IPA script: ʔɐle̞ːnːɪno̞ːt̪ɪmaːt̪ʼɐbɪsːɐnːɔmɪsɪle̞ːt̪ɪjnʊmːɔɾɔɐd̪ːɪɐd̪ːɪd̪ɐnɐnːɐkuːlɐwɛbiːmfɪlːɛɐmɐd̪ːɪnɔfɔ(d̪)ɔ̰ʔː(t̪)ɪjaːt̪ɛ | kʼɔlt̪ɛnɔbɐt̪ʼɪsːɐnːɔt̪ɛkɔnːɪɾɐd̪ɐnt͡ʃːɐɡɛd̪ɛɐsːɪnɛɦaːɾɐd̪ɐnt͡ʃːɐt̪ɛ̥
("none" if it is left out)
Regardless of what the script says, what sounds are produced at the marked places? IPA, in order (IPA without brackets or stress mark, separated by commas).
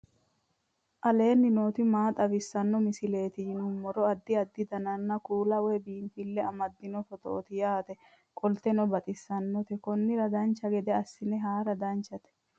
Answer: t̪, t̪